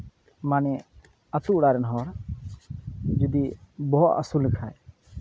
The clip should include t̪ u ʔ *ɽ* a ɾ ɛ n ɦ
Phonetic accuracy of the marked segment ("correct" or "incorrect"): correct